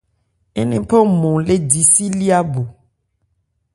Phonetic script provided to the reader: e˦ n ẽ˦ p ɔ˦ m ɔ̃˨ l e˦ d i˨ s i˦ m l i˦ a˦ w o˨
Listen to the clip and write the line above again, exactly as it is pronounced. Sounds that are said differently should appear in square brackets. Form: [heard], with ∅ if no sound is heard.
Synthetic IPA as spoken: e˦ n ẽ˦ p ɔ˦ m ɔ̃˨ l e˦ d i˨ s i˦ [∅] l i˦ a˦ [b] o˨